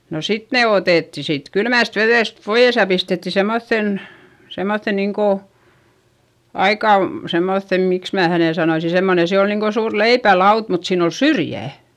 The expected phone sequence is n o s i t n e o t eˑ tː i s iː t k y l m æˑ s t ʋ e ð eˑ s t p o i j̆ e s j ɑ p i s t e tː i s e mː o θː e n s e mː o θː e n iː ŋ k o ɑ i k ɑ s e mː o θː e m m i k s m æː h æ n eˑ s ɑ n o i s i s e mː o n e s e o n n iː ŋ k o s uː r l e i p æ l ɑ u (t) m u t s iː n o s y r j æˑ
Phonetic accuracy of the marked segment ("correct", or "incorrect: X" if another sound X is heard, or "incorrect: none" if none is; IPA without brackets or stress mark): correct